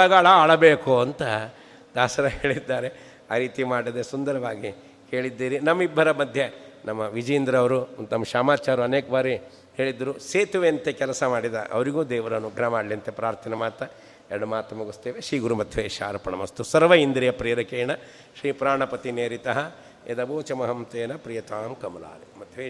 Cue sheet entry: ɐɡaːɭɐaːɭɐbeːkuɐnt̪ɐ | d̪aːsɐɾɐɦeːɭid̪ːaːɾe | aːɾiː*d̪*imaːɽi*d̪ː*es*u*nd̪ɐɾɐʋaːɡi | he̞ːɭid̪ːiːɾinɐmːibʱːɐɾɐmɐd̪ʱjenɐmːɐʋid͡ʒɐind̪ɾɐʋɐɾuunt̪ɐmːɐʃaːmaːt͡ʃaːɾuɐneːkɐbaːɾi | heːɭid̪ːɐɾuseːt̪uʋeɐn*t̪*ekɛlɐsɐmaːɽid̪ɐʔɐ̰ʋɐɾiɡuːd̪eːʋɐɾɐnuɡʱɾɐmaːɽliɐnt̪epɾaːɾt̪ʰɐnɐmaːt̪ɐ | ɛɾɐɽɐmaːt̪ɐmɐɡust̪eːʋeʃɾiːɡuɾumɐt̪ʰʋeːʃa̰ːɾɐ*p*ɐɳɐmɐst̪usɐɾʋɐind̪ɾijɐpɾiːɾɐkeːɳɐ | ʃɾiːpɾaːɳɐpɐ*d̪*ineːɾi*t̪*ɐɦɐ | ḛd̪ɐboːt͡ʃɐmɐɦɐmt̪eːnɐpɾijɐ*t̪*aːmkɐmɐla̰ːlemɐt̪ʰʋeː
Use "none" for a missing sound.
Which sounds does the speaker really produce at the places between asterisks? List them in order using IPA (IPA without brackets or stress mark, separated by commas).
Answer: t̪, d̪, u, t̪, p, t̪, t̪, t̪